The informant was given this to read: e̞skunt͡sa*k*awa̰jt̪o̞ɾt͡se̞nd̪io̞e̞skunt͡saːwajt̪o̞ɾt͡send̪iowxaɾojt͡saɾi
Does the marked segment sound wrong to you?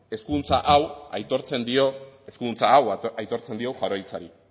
yes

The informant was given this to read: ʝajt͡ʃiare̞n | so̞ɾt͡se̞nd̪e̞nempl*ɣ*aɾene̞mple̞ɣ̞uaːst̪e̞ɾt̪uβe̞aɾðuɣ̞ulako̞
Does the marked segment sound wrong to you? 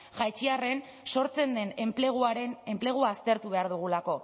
no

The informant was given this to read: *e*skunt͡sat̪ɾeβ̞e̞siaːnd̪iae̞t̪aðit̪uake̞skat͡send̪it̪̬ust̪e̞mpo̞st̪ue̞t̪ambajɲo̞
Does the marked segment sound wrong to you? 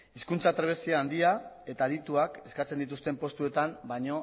yes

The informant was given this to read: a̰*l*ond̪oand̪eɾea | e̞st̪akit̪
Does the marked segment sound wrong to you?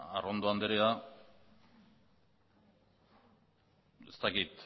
yes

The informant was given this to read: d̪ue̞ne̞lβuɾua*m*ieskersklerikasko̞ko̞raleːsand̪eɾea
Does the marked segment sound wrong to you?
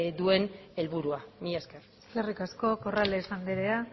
no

